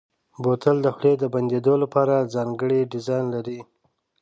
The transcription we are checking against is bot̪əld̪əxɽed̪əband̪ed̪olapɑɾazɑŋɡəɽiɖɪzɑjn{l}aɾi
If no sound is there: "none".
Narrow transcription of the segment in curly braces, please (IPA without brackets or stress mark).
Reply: l